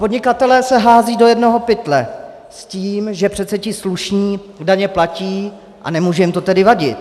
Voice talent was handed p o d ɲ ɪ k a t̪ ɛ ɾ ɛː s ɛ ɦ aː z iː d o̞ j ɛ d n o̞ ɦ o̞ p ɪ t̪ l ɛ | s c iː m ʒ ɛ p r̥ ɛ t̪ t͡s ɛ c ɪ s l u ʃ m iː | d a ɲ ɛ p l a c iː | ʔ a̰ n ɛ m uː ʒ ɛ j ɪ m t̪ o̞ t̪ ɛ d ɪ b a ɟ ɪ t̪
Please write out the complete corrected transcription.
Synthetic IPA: p o d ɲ ɪ k a t̪ ɛ l ɛː s ɛ ɦ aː z iː d o̞ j ɛ d n o̞ ɦ o̞ p ɪ t̪ l ɛ | s c iː m ʒ ɛ p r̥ ɛ t̪ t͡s ɛ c ɪ s l u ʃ ɲ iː | d a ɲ ɛ p l a c iː | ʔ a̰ n ɛ m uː ʒ ɛ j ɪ m t̪ o̞ t̪ ɛ d ɪ v a ɟ ɪ t̪